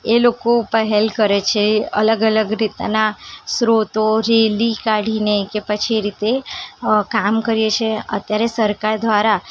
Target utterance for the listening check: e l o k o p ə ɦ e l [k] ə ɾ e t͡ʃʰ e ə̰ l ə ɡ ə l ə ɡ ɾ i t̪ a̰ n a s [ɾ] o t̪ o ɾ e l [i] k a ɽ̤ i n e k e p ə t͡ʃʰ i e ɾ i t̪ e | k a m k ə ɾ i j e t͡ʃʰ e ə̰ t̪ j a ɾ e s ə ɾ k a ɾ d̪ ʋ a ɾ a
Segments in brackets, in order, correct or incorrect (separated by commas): correct, correct, correct